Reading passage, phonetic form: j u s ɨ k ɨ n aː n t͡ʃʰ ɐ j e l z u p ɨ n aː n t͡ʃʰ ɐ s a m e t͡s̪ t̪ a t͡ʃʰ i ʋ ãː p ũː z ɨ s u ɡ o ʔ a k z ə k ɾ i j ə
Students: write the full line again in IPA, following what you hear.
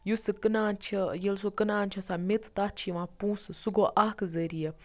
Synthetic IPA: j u s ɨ k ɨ n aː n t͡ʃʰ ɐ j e l s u k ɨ n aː n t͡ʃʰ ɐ s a m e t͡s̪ t̪ a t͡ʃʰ i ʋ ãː p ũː s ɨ s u ɡ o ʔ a k z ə ɾ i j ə